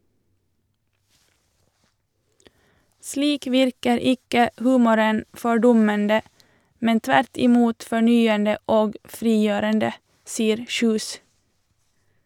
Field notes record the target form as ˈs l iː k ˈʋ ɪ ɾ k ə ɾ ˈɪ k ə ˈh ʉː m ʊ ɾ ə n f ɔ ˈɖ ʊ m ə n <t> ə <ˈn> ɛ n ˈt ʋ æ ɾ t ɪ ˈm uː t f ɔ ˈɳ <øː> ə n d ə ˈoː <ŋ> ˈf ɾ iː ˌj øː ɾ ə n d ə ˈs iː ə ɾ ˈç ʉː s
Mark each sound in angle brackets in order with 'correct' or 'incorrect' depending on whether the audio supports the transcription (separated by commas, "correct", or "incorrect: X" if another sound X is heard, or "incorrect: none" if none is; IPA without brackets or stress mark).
incorrect: d, incorrect: m, incorrect: yː, incorrect: ɡ